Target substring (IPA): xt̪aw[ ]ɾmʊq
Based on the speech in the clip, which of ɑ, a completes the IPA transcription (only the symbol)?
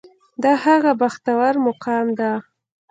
a